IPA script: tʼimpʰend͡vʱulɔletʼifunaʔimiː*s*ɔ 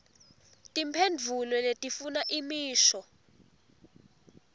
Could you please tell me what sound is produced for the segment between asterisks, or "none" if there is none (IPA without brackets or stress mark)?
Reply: ʃ